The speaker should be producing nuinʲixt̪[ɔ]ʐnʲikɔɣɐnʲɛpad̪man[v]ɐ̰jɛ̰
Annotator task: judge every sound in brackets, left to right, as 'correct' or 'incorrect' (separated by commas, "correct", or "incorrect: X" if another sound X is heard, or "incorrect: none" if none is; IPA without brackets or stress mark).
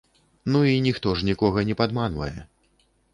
correct, correct